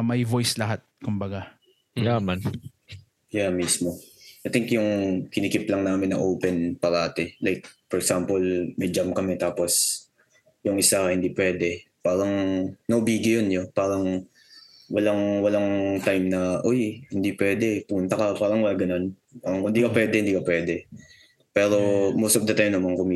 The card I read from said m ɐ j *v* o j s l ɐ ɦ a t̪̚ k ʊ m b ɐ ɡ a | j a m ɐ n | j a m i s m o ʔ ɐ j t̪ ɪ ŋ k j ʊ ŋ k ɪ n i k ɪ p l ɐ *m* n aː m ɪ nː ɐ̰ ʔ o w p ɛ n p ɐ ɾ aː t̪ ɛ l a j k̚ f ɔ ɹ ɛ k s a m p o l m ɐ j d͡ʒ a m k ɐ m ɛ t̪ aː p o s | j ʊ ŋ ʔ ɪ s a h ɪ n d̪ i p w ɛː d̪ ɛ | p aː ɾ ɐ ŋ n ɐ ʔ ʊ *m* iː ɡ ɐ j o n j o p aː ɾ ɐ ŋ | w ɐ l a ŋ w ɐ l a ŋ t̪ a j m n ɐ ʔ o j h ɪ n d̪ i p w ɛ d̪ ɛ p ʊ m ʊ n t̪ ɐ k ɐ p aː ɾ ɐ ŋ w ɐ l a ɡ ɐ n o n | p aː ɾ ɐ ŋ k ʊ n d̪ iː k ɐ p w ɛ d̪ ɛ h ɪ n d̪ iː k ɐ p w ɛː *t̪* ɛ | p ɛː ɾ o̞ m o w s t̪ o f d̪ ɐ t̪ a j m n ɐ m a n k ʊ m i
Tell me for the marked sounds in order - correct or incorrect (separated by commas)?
correct, incorrect, incorrect, incorrect